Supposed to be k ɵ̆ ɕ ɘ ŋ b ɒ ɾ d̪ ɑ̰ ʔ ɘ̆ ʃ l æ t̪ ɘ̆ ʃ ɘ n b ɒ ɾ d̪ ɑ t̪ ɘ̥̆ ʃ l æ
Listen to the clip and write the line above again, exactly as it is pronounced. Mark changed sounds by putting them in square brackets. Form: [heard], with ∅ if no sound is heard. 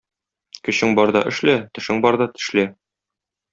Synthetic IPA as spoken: k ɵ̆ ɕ ɘ ŋ b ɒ ɾ d̪ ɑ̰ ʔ ɘ̆ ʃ l æ t̪ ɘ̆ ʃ ɘ [ŋ] b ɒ ɾ d̪ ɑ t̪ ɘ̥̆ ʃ l æ

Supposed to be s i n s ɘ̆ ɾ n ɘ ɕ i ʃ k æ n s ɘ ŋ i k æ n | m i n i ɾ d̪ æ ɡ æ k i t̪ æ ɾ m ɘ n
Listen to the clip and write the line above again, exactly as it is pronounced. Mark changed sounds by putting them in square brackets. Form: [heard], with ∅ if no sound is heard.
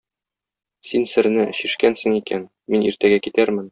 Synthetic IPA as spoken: s i n s ɘ̆ ɾ n ɘ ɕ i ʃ k æ n s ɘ ŋ i k æ n | m i n i ɾ [t̪] æ ɡ æ k i t̪ æ ɾ m ɘ n

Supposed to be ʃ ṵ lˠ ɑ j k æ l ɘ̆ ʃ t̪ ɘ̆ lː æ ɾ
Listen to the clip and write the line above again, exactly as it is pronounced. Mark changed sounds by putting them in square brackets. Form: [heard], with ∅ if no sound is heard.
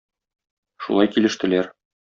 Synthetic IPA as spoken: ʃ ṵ lˠ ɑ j k [i] l ɘ̆ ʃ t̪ ɘ̆ [l] æ ɾ

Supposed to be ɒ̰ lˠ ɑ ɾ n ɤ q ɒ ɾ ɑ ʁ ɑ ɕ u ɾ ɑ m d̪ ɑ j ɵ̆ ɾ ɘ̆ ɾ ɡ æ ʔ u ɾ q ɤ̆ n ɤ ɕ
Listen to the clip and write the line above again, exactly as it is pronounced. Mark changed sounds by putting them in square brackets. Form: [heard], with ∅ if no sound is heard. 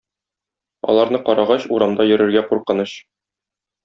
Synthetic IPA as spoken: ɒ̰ lˠ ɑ ɾ n ɤ q ɒ ɾ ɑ ʁ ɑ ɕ u ɾ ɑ m d̪ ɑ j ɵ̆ ɾ ɘ̆ ɾ ɡ æ [q] u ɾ q ɤ̆ n ɤ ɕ

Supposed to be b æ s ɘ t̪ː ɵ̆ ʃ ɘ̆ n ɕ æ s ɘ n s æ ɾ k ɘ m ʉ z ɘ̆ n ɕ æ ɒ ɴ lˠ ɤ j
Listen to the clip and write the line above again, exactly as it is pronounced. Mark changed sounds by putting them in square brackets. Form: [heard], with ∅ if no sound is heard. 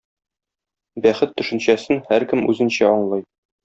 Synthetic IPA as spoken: b æ [χ] ɘ t̪ː ɵ̆ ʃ ɘ̆ n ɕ æ s ɘ n [h] æ ɾ k ɘ m ʉ z ɘ̆ n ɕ æ ɒ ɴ lˠ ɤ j

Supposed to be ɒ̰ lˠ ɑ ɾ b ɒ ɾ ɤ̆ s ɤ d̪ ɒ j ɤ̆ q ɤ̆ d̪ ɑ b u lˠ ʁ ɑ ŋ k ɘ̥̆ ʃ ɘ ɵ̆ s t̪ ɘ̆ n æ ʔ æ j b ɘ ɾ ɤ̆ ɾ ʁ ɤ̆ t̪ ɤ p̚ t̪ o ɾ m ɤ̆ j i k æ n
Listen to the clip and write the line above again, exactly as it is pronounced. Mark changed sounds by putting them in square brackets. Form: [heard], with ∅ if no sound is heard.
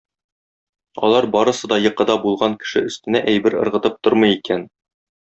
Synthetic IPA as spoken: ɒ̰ lˠ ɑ ɾ b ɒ ɾ ɤ̆ s ɤ d̪ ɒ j ɤ̆ q ɤ̆ d̪ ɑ b u lˠ ʁ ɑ ŋ k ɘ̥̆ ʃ ɘ ɵ̆ s t̪ ɘ̆ n æ ʔ æ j b ɘ ɾ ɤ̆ ɾ ʁ ɤ̆ t̪ ɤ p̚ t̪ o ɾ m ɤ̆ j i k æ n

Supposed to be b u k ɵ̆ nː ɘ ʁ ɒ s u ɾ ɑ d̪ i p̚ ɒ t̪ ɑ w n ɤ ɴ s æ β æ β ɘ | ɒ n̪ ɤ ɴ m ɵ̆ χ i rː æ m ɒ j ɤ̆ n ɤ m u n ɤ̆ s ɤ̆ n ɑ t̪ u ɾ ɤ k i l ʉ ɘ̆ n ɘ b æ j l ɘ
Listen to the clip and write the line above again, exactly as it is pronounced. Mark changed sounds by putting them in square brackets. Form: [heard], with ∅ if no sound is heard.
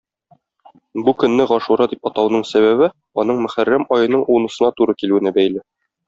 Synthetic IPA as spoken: b u k ɵ̆ nː ɘ ʁ ɒ [ʃ] u ɾ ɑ d̪ i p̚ ɒ t̪ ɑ w n ɤ ɴ s æ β æ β ɘ | ɒ n̪ ɤ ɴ m ɵ̆ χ [æ] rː æ m ɒ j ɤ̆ n ɤ [ɴ] u n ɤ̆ s ɤ̆ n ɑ t̪ u ɾ ɤ k i l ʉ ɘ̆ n ɘ b æ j l ɘ

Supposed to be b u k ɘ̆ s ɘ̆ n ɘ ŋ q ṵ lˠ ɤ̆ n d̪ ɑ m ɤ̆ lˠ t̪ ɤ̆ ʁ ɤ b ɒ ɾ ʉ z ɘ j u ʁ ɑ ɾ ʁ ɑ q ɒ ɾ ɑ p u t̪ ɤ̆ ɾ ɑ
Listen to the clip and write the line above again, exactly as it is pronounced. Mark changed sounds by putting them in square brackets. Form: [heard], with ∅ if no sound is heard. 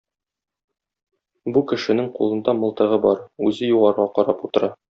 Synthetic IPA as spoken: b u k ɘ̆ [ʃ] ɘ̆ n ɘ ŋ q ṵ lˠ ɤ̆ n d̪ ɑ m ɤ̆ lˠ t̪ ɤ̆ ʁ ɤ b ɒ ɾ ʉ z ɘ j u ʁ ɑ ɾ ʁ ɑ q ɒ ɾ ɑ p u t̪ ɤ̆ ɾ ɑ

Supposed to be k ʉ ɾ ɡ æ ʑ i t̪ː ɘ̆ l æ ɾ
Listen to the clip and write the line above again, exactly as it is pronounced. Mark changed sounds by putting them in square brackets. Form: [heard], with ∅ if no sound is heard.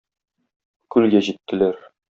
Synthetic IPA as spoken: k ʉ [l] ɡ æ ʑ i t̪ː ɘ̆ l æ ɾ

